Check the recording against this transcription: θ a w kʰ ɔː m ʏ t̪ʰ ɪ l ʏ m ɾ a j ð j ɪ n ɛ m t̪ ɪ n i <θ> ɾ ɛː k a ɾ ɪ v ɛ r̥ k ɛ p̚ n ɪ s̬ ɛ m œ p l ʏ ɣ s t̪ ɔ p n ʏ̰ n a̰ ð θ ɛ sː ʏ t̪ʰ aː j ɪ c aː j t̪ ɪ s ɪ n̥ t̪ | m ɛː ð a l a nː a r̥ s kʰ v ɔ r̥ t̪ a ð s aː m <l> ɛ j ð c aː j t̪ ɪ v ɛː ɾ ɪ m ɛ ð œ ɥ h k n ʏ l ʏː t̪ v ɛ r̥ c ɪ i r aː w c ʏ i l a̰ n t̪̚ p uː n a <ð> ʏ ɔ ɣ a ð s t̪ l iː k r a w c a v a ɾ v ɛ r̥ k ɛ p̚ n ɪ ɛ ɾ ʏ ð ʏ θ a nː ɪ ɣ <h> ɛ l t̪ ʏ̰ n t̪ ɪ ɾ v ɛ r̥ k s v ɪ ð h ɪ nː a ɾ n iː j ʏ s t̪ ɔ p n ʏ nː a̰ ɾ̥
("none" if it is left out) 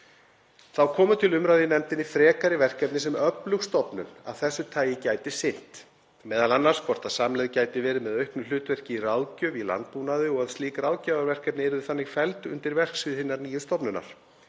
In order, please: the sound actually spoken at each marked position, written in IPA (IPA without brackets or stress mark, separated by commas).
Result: f, l, ð, f